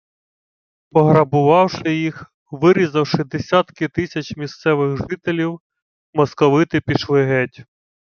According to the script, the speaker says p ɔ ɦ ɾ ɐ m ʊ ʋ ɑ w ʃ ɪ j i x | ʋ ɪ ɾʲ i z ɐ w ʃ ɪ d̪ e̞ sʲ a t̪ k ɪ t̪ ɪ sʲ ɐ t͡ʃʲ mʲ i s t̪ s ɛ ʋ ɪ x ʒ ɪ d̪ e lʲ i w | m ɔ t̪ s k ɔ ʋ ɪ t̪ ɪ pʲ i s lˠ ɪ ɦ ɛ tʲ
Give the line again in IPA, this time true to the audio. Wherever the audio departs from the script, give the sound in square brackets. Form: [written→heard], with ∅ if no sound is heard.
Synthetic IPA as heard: p ɔ ɦ ɾ ɐ [m→b] ʊ ʋ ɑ w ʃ ɪ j i x | ʋ ɪ ɾʲ i z ɐ w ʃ ɪ d̪ e̞ sʲ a t̪ k ɪ t̪ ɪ sʲ ɐ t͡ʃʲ mʲ i s t̪ s ɛ ʋ ɪ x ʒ ɪ [d̪→t̪] e lʲ i w | m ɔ [t̪→∅] s k ɔ ʋ ɪ t̪ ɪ pʲ i [s→ʃ] lˠ ɪ ɦ ɛ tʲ

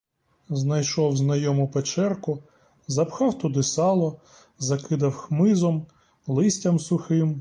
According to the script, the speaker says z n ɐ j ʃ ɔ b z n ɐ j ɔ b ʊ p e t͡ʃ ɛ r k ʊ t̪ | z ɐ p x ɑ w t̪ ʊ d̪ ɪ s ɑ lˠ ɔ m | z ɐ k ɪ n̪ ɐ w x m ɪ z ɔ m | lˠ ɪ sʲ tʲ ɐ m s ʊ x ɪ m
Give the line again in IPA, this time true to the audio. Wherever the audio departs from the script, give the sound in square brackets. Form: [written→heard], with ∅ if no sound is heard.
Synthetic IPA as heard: z n ɐ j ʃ ɔ [b→w] z n ɐ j ɔ [b→m] ʊ p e t͡ʃ ɛ r k ʊ [t̪→∅] | z ɐ p x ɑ w t̪ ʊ d̪ ɪ s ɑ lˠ ɔ [m→∅] | z ɐ k ɪ [n̪→d̪] ɐ w x m ɪ z ɔ m | lˠ ɪ sʲ tʲ ɐ m s ʊ x ɪ m

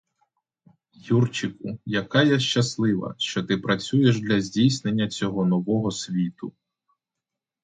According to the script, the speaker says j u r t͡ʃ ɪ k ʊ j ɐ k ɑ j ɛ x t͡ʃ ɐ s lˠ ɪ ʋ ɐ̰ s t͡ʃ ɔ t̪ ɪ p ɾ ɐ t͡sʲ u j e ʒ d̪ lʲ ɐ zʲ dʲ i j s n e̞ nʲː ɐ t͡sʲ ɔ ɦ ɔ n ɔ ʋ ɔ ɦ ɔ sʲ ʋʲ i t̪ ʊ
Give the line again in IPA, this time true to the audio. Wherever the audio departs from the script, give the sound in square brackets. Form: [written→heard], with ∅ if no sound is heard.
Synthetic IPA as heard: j u r t͡ʃ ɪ k ʊ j ɐ k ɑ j ɛ [x→ʃ] t͡ʃ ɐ s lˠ ɪ ʋ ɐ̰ [s→ʃ] t͡ʃ ɔ t̪ ɪ p ɾ ɐ t͡sʲ u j e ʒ d̪ lʲ ɐ zʲ dʲ i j s n e̞ nʲː ɐ t͡sʲ ɔ ɦ ɔ n ɔ ʋ ɔ ɦ ɔ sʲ ʋʲ i t̪ ʊ

